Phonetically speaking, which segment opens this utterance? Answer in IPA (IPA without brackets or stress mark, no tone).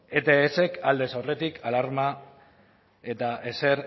e